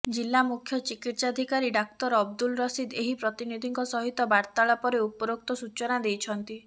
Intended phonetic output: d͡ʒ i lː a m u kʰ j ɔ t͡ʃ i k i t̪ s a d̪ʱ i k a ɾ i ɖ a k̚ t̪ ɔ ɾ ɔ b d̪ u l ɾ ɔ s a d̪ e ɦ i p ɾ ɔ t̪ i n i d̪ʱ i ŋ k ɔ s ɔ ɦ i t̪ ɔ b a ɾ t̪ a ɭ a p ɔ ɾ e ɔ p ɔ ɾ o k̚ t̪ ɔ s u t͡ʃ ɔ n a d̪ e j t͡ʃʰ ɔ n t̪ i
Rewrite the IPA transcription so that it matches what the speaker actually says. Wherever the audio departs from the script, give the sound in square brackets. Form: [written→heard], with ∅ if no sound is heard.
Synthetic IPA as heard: d͡ʒ i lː a m u kʰ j ɔ t͡ʃ i k i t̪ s a d̪ʱ i k a ɾ i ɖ a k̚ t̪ ɔ ɾ ɔ b d̪ u l ɾ ɔ s [a→i] d̪ e ɦ i p ɾ ɔ t̪ i n i d̪ʱ i ŋ k ɔ s ɔ ɦ i t̪ ɔ b a ɾ t̪ a ɭ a p ɔ ɾ e [ɔ→u] p ɔ ɾ o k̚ t̪ ɔ s u t͡ʃ ɔ n a d̪ e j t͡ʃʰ ɔ n t̪ i